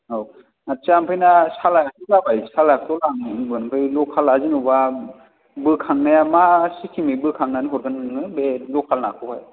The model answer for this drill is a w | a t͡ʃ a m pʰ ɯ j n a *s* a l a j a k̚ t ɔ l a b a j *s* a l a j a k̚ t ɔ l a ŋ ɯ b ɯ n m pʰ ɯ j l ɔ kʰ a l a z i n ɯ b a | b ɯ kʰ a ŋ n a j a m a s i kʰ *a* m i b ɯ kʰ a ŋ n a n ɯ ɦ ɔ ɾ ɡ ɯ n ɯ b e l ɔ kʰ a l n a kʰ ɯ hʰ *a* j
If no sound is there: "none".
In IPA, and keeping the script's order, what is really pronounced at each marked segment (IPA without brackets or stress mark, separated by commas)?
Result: s, s, i, a